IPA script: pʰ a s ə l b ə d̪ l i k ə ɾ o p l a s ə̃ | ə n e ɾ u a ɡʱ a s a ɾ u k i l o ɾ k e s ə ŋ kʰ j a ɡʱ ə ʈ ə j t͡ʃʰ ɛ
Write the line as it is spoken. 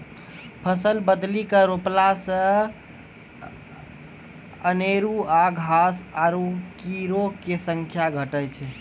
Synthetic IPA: pʰ ə s ə l b ə d̪ l i k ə ɾ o p l a s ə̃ | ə n e ɾ u a ɡʱ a s a ɾ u k i ɾ o k e s ə ŋ kʰ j a ɡʱ ə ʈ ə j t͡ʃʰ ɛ

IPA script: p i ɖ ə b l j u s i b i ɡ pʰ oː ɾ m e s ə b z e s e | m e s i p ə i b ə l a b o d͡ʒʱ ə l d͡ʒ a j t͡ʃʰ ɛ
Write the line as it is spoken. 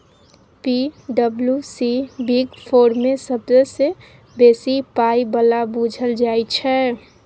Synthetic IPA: p i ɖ ə b l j u s i b i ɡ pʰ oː ɾ m e s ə b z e s e | b e s i p a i b ə l a b u d͡ʒʱ ə l d͡ʒ a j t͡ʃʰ ɛ

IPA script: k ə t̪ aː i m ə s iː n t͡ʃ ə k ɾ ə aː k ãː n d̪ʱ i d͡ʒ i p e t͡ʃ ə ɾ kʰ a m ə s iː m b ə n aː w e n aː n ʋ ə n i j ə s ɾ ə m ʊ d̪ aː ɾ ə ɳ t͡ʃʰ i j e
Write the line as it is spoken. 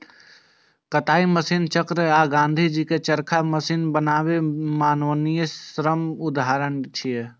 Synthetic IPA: k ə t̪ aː i m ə s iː n t͡ʃ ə k ɾ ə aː ɡ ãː n d̪ʱ i d͡ʒ i k e t͡ʃ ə ɾ kʰ a m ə s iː n b ə n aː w e m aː n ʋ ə n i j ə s ɾ ə m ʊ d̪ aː ɾ ə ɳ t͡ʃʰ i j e

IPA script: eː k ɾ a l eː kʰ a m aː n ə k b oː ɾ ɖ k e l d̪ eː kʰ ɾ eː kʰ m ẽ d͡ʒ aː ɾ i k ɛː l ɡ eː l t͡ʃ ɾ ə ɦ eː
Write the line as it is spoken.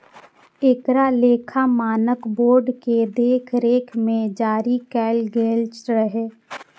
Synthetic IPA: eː k ɾ a l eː kʰ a m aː n ə k b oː ɾ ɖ k e d̪ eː kʰ ɾ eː kʰ m ẽ d͡ʒ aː ɾ i k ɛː l ɡ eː l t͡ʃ ɾ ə ɦ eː

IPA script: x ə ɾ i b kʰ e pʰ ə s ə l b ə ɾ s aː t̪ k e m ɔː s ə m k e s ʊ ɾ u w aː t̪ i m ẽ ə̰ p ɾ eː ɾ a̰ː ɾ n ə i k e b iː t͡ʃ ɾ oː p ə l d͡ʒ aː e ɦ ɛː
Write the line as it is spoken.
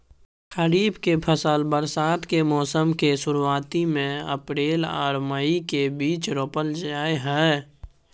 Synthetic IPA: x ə ɾ iː b k e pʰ ə s ə l b ə ɾ s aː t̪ k e m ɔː s ə m k e s ʊ ɾ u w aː t̪ i m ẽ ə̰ p ɾ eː l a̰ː ɾ m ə i k e b iː t͡ʃ ɾ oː p ə l d͡ʒ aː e ɦ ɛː

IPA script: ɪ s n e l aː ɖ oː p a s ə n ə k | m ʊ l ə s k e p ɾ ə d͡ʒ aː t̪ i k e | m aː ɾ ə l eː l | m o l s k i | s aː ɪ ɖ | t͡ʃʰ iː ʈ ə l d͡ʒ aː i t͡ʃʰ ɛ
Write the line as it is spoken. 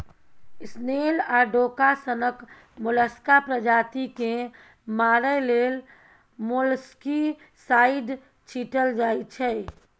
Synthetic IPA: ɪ s n e l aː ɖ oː k a s ə n ə k | m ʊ l ə s k a p ɾ ə d͡ʒ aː t̪ i k e | m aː ɾ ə l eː l | m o l s k i | s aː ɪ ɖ | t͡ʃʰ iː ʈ ə l d͡ʒ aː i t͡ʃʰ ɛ

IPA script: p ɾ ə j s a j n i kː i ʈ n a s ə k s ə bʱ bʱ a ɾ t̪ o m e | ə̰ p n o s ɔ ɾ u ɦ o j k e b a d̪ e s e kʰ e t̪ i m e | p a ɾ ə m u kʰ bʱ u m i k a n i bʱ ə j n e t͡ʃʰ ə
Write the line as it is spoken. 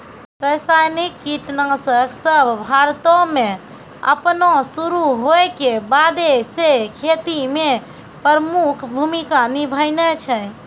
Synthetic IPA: p ɾ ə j s a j n i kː i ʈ n a s ə k s ə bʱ bʱ a ɾ t̪ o m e | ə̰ p n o s u ɾ u ɦ o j k e b a d̪ e s e kʰ e t̪ i m e | p ə ɾ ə m u kʰ bʱ u m i k a n i bʱ ə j n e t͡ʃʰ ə

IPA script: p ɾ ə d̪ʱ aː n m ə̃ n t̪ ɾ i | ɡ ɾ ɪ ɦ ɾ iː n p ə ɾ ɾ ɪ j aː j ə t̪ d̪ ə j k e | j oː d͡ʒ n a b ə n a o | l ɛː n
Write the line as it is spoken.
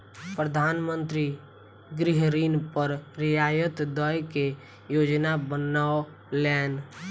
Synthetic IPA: p ɾ ə d̪ʱ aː n m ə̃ n t̪ ɾ i | ɡ ɾ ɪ ɦ ɾ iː n p ə ɾ ɾ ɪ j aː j ə t̪ d̪ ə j k e | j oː d͡ʒ n a b ə n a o | l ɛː n

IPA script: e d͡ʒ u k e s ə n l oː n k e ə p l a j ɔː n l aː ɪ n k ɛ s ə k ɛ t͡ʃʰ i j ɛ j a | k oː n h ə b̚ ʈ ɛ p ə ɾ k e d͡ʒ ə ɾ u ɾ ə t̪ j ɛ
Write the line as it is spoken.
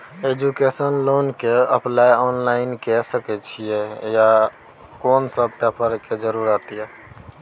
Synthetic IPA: e d͡ʒ u k e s ə n l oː n k e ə p l a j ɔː n l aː ɪ n k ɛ s ə k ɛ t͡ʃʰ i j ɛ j a | k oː n s ə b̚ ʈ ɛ p ə ɾ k e d͡ʒ ə ɾ u ɾ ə t̪ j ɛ

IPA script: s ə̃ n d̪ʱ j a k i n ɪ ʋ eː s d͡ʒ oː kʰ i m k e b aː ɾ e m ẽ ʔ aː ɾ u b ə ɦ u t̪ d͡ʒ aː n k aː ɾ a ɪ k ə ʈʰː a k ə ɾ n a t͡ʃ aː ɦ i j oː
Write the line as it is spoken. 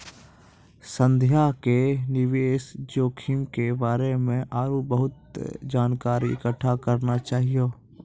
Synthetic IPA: s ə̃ n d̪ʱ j a k e n ɪ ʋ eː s d͡ʒ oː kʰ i m k e b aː ɾ e m ẽ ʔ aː ɾ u b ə ɦ ʊ t̪ d͡ʒ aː n k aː ɾ i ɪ k ə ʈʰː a k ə ɾ n a t͡ʃ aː ɦ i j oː

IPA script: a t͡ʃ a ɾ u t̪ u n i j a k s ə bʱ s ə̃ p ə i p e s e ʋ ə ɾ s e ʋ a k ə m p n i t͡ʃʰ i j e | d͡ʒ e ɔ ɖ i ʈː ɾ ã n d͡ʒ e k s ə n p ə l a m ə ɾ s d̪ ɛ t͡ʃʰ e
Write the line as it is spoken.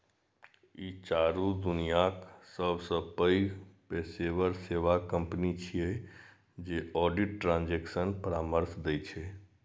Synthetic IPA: i t͡ʃ a ɾ u d̪ u n i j a k s ə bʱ s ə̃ p ə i p e s e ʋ ə ɾ s e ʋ a k ə m p n i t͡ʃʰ i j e | d͡ʒ e ɔ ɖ i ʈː ɾ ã n d͡ʒ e k s ə n p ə ɾ a m ə ɾ s d̪ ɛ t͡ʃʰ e

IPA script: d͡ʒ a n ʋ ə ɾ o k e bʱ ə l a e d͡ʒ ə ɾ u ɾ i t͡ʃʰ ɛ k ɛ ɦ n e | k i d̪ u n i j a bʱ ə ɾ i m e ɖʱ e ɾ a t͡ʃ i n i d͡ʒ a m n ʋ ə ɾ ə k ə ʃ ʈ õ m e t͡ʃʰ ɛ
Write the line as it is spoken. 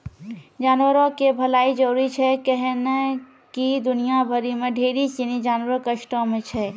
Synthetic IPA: d͡ʒ a n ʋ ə ɾ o k e bʱ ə l a i d͡ʒ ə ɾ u ɾ i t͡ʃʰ ɛ k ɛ ɦ n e | k i d̪ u n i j a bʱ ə ɾ i m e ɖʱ e ɾ i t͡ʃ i n i d͡ʒ a n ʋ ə ɾ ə k ə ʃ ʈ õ m e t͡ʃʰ ɛ

